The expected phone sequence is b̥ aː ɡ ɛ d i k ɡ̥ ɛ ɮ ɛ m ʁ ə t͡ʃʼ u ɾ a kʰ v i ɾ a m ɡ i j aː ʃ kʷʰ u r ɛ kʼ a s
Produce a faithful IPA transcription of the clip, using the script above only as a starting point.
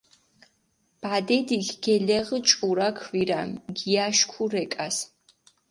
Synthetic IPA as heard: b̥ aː d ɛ d i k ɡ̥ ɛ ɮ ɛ ʁ ə t͡ʃʼ u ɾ a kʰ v i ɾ a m ɡ i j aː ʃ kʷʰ u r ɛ kʼ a s